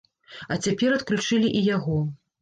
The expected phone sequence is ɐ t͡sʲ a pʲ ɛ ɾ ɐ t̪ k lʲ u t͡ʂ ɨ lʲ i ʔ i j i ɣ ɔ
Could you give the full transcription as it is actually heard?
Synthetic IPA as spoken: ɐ t͡sʲ a pʲ ɛ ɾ ɐ t̪ k lʲ u t͡ʂ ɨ lʲ i ʔ i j a ɣ ɔ